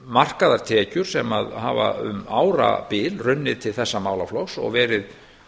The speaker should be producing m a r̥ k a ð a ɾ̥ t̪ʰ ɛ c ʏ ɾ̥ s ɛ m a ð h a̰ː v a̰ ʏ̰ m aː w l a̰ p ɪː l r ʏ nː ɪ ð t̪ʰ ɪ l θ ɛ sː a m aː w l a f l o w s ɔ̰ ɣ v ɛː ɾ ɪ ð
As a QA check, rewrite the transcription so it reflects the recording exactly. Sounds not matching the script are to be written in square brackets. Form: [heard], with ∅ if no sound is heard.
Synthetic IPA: m a r̥ k a ð a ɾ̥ t̪ʰ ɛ c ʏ ɾ̥ s ɛ m a ð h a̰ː v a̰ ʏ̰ m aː w [ɾ] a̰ p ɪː l r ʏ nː ɪ ð t̪ʰ ɪ l θ ɛ sː a m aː w l a f l o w s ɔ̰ ɣ v ɛː ɾ ɪ ð

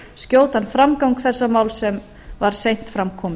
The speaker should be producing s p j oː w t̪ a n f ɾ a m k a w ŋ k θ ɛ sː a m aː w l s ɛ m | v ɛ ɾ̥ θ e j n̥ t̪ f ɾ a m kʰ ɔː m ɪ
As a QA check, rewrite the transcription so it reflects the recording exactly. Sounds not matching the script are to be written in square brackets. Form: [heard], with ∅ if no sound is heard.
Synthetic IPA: s [c] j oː w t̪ a n f ɾ a m k a w ŋ k θ ɛ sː a m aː w l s ɛ m | v [a] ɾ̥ [s] e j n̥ t̪ f ɾ a m kʰ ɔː m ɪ

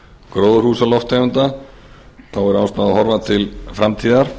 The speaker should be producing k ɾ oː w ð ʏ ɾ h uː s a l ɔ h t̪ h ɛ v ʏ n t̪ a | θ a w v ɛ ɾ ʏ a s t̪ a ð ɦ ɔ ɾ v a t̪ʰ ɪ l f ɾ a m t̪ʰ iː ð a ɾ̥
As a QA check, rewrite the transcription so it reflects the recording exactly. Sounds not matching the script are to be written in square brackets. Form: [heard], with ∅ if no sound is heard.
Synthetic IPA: k ɾ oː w ð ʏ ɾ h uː s a l ɔ [f] t̪ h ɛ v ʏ n t̪ a | θ a w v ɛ ɾ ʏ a s t̪ a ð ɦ ɔ ɾ v a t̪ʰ ɪ l f ɾ a m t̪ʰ iː ð a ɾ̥

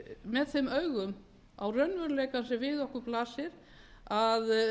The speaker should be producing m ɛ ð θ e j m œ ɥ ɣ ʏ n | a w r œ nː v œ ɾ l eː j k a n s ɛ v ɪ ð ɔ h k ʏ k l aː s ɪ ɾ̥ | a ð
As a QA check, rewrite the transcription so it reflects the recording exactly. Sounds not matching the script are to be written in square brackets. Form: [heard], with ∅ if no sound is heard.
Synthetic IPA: m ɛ ð θ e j m œ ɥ ɣ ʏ [m] | a w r œ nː v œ ɾ l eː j k a n s ɛ v ɪ ð ɔ h k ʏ [p] l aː s ɪ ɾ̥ | a ð

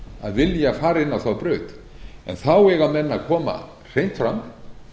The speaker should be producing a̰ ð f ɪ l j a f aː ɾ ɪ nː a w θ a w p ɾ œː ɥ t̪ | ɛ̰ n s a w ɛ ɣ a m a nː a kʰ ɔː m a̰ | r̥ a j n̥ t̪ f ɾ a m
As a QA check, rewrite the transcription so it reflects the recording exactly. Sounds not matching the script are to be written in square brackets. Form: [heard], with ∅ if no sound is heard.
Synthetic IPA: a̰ ð [v] ɪ l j a f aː ɾ ɪ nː a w θ a w p ɾ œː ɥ t̪ | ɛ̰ n [θ] a w ɛ ɣ a m [ɛ] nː a kʰ ɔː m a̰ | r̥ [e] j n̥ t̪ f ɾ a m

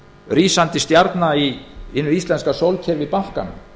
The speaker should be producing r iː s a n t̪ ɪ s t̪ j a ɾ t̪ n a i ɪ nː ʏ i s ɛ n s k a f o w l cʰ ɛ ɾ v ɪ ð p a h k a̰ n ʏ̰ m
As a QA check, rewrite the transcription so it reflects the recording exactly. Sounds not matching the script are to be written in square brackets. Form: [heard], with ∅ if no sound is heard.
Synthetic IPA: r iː s a n t̪ ɪ s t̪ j a ɾ t̪ n a i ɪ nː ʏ i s ɛ n s k a [s] o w l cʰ ɛ ɾ v ɪ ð p a h k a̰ n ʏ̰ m

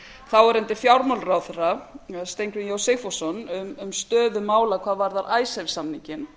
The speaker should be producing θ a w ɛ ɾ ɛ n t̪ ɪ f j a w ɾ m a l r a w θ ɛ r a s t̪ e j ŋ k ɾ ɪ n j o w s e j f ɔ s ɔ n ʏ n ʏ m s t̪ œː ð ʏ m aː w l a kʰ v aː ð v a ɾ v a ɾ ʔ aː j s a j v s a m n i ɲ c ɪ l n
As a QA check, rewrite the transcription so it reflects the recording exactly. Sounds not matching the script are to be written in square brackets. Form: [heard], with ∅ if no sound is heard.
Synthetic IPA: θ a w ɛ ɾ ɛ n t̪ ɪ f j a w ɾ m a l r a w θ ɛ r a s t̪ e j ŋ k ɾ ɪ n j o w s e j f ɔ s ɔ n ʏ [m] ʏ m s t̪ œː ð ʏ m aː w l a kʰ v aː ð v a ɾ [ð] a ɾ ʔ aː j s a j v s a m n i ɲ c ɪ [∅] n

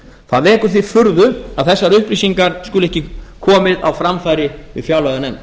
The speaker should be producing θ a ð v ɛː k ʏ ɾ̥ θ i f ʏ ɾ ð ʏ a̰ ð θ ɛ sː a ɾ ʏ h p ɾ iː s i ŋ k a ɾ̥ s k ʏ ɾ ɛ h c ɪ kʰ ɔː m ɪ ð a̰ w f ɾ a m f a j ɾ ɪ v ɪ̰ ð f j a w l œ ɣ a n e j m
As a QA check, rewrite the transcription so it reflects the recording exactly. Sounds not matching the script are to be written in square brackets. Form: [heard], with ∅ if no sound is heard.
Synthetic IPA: θ a ð v ɛː k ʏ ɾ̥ θ i f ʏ ɾ ð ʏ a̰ ð θ ɛ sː a ɾ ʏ h p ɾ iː s i ŋ k a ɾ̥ s k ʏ [l] ɛ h c ɪ kʰ ɔː m ɪ ð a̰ w f ɾ a m f a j ɾ ɪ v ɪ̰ ð f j a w l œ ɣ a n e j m

